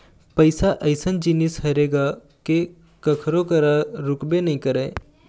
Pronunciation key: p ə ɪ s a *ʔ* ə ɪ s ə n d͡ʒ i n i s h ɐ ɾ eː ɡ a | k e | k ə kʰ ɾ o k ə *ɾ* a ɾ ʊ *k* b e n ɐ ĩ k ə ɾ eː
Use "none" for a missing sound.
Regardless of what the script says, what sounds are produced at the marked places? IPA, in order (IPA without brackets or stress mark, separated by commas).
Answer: ʔ, ɾ, k